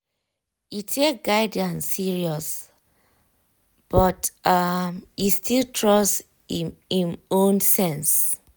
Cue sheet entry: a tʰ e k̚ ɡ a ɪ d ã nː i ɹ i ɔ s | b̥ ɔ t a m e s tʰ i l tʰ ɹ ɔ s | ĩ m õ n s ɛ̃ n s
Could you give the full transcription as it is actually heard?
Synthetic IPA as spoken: i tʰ e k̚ ɡ a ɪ d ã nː i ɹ i ɔ s | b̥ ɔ t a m i s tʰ i l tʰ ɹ ɔ s | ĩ m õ n s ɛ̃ n s